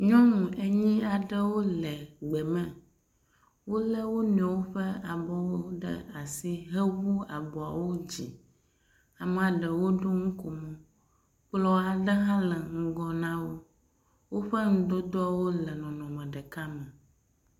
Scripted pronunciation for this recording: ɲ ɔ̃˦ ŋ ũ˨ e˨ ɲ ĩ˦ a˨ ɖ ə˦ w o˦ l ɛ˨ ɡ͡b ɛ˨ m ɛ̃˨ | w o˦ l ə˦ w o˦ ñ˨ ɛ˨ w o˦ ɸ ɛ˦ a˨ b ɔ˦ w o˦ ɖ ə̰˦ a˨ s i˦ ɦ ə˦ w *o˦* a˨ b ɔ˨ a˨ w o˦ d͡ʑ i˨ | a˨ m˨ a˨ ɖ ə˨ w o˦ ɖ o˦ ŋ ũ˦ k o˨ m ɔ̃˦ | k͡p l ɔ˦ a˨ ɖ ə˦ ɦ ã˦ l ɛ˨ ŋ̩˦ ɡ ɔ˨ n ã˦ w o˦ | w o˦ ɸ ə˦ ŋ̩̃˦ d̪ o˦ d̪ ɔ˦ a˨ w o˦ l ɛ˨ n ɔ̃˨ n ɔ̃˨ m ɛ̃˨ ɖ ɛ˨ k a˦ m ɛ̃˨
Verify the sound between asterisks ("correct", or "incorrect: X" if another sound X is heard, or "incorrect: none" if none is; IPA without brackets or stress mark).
incorrect: u˦